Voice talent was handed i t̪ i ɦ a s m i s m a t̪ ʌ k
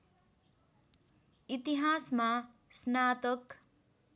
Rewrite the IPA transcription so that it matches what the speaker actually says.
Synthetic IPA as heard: i t̪ i ɦ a s m a s n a t̪ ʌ k